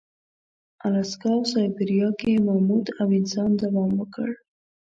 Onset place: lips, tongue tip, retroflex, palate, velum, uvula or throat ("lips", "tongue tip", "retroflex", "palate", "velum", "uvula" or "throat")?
tongue tip